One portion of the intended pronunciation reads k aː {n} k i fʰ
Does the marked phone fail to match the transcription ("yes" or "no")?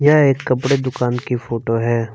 no